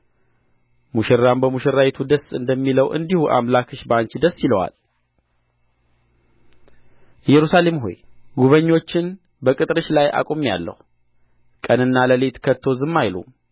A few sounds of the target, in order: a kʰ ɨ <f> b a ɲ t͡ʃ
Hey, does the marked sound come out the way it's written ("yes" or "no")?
no